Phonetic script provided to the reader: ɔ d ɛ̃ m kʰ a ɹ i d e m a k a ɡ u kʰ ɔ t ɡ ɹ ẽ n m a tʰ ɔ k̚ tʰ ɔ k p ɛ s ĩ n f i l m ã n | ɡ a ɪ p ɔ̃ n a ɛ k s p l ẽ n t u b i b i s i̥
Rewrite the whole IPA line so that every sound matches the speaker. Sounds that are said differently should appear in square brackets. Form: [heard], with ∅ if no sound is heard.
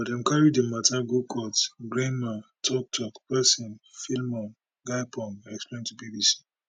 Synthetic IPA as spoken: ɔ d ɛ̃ m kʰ a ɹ i d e m a [t] a ɡ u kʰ ɔ t ɡ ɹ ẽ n m a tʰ ɔ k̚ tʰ ɔ k p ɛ s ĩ n f i l m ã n | ɡ a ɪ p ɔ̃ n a ɛ k s p l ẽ n t u b i b i s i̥